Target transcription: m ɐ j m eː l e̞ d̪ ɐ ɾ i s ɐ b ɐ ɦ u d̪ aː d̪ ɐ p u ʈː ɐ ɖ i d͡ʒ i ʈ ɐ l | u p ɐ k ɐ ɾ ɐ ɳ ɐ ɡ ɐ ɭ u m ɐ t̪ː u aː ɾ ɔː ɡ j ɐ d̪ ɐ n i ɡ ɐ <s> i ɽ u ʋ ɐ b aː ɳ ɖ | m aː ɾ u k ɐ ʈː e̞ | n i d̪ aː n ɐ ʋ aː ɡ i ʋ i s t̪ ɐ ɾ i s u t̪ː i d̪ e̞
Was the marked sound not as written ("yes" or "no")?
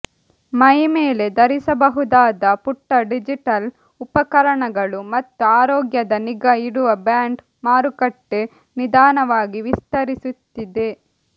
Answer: yes